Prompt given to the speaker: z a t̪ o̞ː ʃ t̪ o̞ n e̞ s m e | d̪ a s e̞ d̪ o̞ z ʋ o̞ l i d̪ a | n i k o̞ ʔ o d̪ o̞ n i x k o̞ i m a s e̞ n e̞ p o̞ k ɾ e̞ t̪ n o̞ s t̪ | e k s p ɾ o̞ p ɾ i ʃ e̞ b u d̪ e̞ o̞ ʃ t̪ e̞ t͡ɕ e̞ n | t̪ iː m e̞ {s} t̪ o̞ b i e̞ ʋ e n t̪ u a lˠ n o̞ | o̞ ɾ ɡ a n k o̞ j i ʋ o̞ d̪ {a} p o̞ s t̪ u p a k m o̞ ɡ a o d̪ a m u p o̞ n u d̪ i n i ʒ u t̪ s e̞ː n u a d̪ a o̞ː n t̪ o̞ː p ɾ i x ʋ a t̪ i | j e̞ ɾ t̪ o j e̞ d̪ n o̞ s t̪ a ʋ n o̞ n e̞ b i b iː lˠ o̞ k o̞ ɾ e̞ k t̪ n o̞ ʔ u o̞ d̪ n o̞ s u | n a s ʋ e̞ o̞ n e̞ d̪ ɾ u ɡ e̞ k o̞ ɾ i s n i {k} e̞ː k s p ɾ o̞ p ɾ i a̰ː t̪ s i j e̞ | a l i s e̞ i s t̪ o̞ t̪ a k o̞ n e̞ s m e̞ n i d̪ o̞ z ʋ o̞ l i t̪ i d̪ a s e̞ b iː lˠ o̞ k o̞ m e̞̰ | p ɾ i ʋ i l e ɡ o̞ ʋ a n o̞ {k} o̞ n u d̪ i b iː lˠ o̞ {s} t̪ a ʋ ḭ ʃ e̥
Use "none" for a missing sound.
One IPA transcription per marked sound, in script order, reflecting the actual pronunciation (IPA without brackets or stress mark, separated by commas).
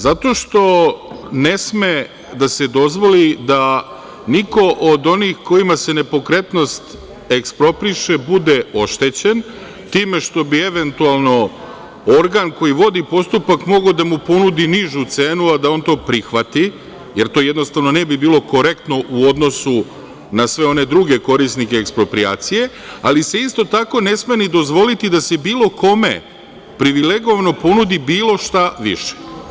ʃ, i, k, p, ʃ